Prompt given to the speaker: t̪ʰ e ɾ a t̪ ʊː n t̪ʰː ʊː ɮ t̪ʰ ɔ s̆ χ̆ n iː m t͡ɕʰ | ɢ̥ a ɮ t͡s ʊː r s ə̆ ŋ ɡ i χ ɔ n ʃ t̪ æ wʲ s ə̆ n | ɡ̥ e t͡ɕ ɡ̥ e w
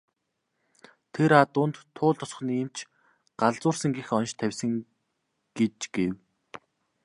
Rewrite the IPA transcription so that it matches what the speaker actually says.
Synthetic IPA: t̪ʰ e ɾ a t̪ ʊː n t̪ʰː ʊː ɮ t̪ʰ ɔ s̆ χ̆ n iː m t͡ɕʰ | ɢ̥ a ɮ t͡s ʊː r s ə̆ ŋ ɡ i x ɔ n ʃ t̪ʰ æ wʲ s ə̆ ŋ | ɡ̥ e t͡ɕ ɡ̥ e w